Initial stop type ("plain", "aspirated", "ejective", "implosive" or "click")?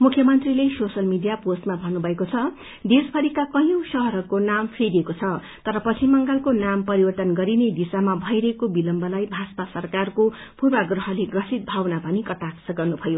aspirated